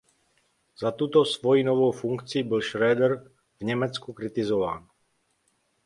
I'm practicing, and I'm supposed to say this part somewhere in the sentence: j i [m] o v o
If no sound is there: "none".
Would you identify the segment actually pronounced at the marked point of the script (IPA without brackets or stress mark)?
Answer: n